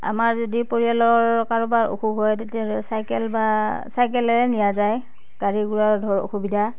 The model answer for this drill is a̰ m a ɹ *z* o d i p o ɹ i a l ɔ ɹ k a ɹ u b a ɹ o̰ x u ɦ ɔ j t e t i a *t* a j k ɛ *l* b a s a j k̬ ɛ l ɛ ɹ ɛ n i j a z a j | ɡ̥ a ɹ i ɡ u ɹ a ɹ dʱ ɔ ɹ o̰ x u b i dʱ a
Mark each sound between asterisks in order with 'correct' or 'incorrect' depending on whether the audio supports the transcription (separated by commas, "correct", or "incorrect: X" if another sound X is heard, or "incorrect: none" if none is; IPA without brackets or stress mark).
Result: correct, incorrect: s, correct